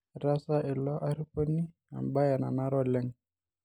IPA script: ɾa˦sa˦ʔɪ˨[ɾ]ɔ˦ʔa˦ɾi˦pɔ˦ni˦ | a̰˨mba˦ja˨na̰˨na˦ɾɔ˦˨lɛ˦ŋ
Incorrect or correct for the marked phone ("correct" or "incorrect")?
incorrect